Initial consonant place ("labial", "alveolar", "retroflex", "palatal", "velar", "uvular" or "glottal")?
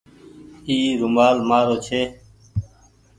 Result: alveolar